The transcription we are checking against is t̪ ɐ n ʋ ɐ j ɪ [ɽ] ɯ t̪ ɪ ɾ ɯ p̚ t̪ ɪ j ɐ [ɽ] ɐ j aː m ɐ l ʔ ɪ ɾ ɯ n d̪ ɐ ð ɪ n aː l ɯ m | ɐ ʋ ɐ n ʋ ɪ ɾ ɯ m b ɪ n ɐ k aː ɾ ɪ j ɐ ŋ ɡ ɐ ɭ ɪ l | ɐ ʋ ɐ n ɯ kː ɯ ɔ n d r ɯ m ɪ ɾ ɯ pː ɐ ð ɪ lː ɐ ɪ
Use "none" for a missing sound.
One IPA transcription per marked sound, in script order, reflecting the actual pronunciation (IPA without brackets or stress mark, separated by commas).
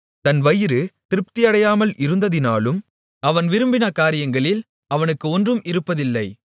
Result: ɾ, ɽ